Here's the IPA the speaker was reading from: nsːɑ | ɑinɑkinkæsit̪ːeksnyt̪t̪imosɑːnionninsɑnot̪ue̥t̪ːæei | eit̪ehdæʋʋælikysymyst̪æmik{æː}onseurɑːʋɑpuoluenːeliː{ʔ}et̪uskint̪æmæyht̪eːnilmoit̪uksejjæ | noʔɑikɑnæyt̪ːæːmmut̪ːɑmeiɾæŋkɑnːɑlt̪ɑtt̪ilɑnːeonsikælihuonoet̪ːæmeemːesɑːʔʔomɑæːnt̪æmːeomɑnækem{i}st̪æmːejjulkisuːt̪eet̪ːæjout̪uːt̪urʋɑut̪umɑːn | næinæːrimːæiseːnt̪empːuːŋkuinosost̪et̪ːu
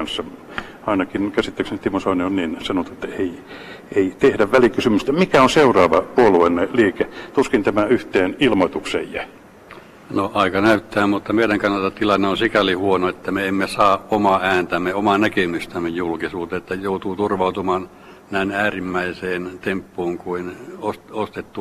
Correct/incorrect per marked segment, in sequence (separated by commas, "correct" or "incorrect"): incorrect, incorrect, incorrect